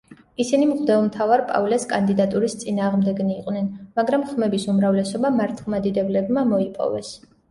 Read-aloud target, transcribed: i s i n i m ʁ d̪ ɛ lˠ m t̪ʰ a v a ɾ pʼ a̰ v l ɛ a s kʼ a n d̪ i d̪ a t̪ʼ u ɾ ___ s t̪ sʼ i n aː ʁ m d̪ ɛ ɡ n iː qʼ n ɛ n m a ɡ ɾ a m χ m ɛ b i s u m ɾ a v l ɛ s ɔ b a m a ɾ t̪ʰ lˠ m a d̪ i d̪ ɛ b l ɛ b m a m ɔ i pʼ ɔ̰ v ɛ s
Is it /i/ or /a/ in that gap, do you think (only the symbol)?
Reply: i